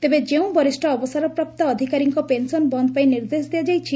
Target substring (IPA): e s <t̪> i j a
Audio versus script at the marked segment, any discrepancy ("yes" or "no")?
yes